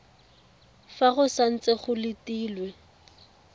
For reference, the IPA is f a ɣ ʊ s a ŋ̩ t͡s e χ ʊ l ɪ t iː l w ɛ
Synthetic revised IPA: f a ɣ ʊ s a n̩ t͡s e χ ʊ l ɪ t iː l w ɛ